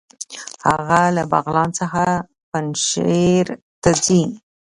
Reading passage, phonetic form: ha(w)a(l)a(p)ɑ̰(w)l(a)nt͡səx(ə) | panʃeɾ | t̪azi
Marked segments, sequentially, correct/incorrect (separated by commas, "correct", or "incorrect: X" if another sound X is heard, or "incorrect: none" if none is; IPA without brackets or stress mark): incorrect: ɣ, correct, incorrect: b, incorrect: ɣ, incorrect: ɑ, incorrect: a